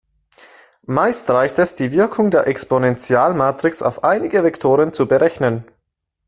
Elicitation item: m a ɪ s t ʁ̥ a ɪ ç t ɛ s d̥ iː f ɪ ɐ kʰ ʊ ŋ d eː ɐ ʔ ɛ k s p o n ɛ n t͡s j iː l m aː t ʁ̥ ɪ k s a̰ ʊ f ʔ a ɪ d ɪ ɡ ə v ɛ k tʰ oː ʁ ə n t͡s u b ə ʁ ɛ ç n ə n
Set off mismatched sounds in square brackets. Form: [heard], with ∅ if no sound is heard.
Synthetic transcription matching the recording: m a ɪ s t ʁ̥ a ɪ ç t ɛ s d̥ iː [v] ɪ ɐ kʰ ʊ ŋ d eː ɐ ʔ ɛ k s p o n ɛ n t͡s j [aː] l m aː t ʁ̥ ɪ k s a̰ ʊ f ʔ a ɪ [n] ɪ ɡ ə v ɛ k tʰ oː ʁ ə n t͡s u b ə ʁ ɛ ç n ə n